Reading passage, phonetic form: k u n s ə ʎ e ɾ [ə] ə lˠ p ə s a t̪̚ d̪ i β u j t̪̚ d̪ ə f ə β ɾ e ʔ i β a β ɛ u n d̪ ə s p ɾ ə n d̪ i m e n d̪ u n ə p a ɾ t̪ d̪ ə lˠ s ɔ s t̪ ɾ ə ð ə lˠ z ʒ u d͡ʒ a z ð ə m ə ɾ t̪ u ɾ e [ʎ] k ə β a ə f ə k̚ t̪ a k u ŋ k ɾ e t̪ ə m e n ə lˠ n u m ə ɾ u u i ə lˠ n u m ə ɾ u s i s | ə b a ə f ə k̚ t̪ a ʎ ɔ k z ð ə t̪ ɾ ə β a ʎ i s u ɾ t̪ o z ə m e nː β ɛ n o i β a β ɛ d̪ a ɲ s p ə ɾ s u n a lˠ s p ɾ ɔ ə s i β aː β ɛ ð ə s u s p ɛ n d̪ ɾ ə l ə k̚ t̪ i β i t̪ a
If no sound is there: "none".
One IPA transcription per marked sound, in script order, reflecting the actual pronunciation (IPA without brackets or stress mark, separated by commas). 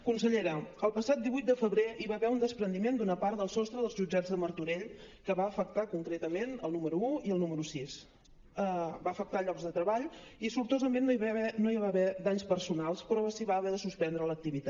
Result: ə, ʎ